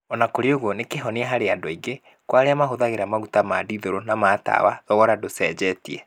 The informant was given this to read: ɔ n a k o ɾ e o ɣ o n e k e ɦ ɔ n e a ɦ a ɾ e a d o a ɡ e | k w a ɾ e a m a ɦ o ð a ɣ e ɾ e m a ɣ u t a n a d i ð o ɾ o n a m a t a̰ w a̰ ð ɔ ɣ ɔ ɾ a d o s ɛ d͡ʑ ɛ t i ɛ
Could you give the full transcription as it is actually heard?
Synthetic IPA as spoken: ɔ n a k o ɾ e o ɣ o n e k e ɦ ɔ n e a ɦ a ɾ e a d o i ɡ e | k w a ɾ e a m a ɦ o ð a ɣ e ɾ a m a ɣ u t a m a d i ð o ɾ o n a m a t a̰ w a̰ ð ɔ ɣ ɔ ɾ a d o s ɛ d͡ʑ ɛ t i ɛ